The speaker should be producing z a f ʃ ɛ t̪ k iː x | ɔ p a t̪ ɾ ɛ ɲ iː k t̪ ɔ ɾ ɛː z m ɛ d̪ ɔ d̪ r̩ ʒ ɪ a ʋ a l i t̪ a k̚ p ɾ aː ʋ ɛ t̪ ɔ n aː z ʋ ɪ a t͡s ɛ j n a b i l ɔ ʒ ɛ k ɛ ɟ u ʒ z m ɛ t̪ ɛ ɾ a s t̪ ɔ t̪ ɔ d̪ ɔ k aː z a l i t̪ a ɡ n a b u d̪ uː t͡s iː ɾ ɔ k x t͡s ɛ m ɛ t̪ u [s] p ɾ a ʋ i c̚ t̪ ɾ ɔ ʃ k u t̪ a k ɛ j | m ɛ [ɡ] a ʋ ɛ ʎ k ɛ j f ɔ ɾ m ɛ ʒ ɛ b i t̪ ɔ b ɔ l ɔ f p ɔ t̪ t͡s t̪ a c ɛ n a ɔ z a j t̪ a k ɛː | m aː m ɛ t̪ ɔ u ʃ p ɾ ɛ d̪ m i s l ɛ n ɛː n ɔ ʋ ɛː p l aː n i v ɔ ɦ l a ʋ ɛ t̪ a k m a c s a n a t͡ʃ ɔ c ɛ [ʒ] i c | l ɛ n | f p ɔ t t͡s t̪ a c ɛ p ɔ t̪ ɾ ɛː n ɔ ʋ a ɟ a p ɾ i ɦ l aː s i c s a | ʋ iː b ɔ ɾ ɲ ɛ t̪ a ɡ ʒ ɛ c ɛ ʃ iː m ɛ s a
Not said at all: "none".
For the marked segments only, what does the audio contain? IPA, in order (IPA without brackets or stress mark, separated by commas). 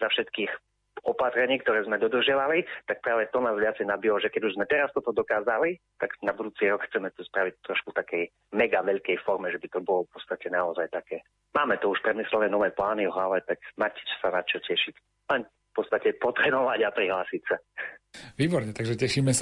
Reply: s, ɡ, ʃ